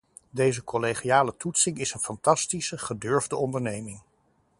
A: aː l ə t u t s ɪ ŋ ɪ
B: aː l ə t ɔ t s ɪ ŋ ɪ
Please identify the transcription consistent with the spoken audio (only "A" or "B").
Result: A